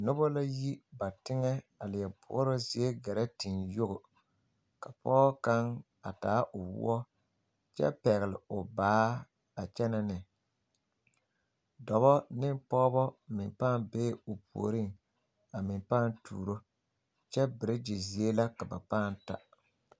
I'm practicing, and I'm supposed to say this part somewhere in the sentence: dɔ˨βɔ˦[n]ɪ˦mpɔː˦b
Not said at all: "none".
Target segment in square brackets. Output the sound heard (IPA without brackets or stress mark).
n